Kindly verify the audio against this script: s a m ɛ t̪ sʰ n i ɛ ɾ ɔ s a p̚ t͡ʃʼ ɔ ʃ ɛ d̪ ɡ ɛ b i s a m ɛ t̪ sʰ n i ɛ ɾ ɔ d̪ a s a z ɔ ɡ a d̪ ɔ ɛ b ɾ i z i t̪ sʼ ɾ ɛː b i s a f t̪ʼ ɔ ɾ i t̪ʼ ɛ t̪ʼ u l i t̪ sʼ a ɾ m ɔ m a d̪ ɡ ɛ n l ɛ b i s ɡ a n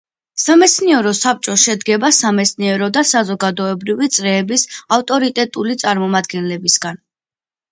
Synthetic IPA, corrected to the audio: s a m ɛ t̪ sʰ n i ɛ ɾ ɔ s a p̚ t͡ʃʼ ɔ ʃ ɛ d̪ ɡ ɛ b a s a m ɛ t̪ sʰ n i ɛ ɾ ɔ d̪ a s a z ɔ ɡ a d̪ ɔ ɛ b ɾ i v i t̪ sʼ ɾ ɛː b i s a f t̪ʼ ɔ ɾ i t̪ʼ ɛ t̪ʼ u l i t̪ sʼ a ɾ m ɔ m a d̪ ɡ ɛ n l ɛ b i s ɡ a n